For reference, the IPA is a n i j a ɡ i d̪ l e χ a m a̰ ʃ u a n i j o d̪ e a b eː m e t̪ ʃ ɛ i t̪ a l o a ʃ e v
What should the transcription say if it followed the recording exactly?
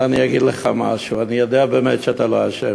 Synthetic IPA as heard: a n i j a ɡ i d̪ l e χ a m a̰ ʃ u a n i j o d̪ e a b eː m e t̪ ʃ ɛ a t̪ a l o a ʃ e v